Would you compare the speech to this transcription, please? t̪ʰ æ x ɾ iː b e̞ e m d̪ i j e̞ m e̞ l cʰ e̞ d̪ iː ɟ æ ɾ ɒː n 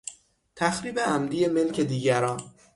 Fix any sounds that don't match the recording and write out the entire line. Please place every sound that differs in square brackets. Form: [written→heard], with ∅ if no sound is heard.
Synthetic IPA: t̪ʰ æ x ɾ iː b e̞ [e→æ] m d̪ i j e̞ m e̞ l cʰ e̞ d̪ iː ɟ æ ɾ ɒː n